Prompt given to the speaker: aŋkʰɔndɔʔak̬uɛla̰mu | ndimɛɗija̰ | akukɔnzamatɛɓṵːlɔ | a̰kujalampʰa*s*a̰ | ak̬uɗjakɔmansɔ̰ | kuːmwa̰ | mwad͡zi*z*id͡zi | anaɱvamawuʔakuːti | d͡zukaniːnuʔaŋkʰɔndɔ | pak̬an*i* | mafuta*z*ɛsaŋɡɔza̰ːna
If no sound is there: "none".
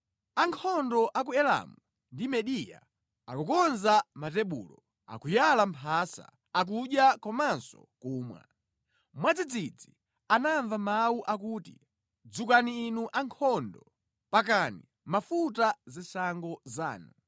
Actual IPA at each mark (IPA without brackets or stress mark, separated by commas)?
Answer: s, d͡z, i, z